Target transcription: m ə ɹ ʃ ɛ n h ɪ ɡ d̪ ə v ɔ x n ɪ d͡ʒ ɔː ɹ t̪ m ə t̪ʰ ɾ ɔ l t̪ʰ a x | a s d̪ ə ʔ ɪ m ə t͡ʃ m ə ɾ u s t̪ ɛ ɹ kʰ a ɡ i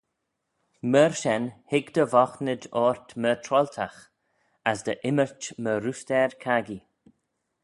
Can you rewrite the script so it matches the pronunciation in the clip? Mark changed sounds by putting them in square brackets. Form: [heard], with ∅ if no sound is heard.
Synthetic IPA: m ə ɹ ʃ ɛ n h ɪ ɡ d̪ ə v ɔ x n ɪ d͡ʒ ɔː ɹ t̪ m ə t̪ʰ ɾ ɔ l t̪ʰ a x | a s d̪ ə ʔ ɪ m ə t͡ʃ m ə ɾ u s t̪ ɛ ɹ kʰ a ɡ i